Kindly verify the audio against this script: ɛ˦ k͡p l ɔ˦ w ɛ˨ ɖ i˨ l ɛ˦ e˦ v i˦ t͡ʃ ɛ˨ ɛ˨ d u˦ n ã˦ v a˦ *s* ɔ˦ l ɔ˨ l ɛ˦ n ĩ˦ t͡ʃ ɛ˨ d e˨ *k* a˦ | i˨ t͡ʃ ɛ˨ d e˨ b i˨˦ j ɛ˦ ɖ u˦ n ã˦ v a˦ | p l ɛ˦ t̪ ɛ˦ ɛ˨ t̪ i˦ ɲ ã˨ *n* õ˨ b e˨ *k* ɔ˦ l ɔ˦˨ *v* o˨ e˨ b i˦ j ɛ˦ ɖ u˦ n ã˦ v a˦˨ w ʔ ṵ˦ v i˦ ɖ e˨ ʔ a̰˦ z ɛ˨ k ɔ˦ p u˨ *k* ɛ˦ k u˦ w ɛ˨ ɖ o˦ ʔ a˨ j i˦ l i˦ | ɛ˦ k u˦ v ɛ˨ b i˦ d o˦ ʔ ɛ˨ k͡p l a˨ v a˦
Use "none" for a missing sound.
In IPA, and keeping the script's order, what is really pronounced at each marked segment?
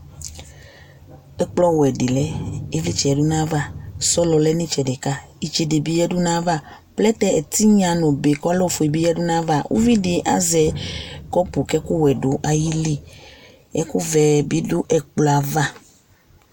s, k, n, k, f, k

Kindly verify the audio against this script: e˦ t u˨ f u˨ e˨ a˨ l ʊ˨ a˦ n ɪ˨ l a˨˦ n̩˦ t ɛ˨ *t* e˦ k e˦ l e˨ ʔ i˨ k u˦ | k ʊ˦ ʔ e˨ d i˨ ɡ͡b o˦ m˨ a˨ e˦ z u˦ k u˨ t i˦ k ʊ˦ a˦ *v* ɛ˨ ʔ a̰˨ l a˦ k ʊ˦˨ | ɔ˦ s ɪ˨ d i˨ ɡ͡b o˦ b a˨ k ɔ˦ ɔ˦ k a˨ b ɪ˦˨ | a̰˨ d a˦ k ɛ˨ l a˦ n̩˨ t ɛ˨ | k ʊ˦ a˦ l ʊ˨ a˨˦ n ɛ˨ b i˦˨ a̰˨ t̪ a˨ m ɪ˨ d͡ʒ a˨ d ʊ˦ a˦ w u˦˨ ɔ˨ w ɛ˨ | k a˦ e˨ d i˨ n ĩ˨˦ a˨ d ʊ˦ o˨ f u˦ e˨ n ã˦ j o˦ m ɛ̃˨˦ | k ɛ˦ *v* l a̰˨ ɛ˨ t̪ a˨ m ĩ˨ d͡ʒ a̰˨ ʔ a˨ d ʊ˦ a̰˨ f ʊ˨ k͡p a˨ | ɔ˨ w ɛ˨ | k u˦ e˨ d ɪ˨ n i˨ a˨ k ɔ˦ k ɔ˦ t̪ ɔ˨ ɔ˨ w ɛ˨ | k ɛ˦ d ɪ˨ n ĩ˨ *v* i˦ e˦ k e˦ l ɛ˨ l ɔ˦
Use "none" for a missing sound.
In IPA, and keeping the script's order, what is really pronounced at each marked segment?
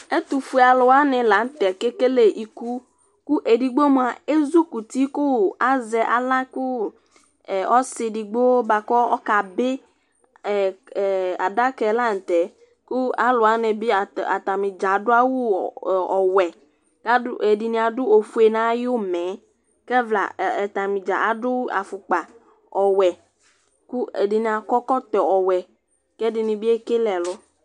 k, z, v, b

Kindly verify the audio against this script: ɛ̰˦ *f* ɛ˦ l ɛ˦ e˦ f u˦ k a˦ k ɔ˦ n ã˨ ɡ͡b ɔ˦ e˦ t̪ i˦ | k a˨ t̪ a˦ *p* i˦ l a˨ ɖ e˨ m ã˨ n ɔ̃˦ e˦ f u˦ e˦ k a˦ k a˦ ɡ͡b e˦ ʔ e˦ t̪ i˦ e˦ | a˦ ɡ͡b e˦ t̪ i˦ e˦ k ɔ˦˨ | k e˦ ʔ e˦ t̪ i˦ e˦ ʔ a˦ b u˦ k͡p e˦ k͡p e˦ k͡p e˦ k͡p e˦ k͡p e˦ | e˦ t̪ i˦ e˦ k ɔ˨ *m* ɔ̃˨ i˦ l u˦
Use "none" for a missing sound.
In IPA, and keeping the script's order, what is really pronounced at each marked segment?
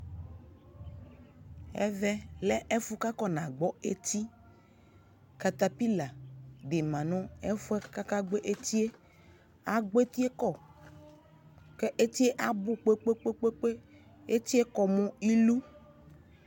v, p, m

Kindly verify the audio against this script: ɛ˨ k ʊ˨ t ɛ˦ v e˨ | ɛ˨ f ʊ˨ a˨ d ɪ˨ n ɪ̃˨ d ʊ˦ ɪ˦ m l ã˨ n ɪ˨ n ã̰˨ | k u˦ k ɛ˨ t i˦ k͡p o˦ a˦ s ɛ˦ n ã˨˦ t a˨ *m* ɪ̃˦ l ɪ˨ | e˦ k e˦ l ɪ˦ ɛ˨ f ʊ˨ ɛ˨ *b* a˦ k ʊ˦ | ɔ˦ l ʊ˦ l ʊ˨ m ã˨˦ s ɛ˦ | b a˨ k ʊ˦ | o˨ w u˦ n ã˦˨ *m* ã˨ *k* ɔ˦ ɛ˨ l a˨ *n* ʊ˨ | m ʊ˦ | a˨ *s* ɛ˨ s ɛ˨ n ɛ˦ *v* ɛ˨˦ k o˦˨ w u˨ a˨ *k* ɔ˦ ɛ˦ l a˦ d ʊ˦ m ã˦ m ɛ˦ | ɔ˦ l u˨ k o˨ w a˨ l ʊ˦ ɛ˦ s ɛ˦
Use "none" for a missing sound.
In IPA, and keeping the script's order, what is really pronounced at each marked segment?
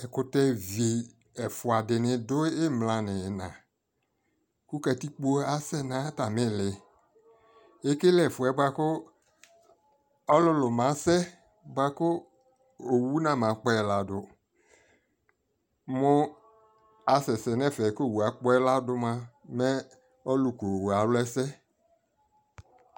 m, b, m, k͡p, d, s, f, k͡p

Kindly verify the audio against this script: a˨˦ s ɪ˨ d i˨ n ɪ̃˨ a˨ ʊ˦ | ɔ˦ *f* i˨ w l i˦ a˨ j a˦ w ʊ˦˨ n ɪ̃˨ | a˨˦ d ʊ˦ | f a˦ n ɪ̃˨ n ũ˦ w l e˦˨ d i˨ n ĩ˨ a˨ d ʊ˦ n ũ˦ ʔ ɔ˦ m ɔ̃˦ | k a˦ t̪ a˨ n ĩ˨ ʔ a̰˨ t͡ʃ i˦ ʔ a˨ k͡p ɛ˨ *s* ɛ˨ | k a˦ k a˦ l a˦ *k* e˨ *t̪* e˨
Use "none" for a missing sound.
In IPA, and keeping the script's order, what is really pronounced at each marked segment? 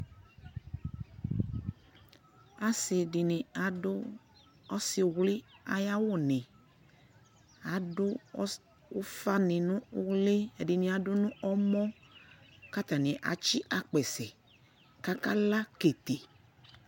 s, s, k, t̪

